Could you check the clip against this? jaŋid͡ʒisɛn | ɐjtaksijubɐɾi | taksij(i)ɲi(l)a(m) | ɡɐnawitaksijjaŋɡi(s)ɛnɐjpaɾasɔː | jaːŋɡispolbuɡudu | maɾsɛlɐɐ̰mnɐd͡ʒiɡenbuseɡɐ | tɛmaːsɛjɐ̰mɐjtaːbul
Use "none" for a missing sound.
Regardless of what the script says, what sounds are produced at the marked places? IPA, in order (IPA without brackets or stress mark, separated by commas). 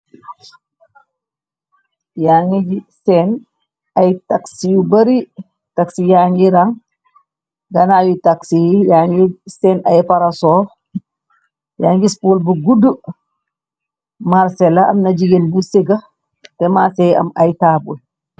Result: a, ɾ, ŋ, s